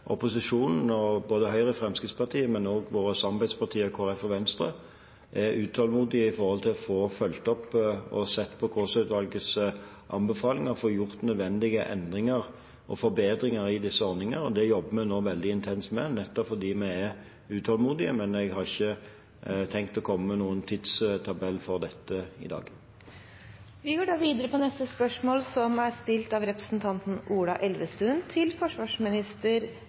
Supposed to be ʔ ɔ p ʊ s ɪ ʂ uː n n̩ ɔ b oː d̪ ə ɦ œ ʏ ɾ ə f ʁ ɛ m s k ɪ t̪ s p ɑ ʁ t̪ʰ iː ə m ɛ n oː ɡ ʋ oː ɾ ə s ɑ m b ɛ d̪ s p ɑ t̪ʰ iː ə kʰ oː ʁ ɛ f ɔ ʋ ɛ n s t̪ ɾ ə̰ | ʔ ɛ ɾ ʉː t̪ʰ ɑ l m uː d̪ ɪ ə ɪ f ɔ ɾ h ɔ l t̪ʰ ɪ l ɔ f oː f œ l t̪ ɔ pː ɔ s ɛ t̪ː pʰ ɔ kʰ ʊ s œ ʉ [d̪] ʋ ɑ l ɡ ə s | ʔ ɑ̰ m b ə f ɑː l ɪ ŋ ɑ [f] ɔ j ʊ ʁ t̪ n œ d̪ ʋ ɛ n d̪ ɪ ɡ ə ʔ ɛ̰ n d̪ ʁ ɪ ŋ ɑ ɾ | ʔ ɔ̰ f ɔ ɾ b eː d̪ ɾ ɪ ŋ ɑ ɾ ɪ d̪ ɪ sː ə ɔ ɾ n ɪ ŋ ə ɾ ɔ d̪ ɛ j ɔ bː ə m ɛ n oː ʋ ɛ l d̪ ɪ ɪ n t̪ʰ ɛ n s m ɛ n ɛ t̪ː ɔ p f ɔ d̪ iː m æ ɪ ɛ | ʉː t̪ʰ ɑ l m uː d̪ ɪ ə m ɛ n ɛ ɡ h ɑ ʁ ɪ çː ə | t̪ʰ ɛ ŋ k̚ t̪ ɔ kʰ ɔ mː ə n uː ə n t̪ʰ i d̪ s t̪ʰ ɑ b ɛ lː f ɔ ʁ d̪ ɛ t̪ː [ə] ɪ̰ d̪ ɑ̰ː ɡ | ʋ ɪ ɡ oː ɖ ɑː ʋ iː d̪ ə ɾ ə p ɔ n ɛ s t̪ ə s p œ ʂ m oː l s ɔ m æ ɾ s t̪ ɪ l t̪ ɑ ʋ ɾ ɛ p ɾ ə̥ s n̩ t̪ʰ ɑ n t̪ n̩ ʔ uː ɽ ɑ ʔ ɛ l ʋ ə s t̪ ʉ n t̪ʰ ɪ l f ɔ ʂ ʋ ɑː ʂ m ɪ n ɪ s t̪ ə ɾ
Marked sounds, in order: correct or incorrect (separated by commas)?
incorrect, correct, correct